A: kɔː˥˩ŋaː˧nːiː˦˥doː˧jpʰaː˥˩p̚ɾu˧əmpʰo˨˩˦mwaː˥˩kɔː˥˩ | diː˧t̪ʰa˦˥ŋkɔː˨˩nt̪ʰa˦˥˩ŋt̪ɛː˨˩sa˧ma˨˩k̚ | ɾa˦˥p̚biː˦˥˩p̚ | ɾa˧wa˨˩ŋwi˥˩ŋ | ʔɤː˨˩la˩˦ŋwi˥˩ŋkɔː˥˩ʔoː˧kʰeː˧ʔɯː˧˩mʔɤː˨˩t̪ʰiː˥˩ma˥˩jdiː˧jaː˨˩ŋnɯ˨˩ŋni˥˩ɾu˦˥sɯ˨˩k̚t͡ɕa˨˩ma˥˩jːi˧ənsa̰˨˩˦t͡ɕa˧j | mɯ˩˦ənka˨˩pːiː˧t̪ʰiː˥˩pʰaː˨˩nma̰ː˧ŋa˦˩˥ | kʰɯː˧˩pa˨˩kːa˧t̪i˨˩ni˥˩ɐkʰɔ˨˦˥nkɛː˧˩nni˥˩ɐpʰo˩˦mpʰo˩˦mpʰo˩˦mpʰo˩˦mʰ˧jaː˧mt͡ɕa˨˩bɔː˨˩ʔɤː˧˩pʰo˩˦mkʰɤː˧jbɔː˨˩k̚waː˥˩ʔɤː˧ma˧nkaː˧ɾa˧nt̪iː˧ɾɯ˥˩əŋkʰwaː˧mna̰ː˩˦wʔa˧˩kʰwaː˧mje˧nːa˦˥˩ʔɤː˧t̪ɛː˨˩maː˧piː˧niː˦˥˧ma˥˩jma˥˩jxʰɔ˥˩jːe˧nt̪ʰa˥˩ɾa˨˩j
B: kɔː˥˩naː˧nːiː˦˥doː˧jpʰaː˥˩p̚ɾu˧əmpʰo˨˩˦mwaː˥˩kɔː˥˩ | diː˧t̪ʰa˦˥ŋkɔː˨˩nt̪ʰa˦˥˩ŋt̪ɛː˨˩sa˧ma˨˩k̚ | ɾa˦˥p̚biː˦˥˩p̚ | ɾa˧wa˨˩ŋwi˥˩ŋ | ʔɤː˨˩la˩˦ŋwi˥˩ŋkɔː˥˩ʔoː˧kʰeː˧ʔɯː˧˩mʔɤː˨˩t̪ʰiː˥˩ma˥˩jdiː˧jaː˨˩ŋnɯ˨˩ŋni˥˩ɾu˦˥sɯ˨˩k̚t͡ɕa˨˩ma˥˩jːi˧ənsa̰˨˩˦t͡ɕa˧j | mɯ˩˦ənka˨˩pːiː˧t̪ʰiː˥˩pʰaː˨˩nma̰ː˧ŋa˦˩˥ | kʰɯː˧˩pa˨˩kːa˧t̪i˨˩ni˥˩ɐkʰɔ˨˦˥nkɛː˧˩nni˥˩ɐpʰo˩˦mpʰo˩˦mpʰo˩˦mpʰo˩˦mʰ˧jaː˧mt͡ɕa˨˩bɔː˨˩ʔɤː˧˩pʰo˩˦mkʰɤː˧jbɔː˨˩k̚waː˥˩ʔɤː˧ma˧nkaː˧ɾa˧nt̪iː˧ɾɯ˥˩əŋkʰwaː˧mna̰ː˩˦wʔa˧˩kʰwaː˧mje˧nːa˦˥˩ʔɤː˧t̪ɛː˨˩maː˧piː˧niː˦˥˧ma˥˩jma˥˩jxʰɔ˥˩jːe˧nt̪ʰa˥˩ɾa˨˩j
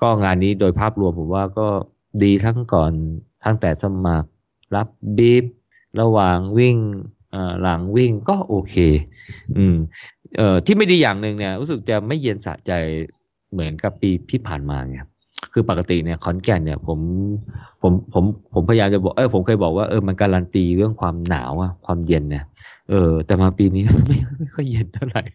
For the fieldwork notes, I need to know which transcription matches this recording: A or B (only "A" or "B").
A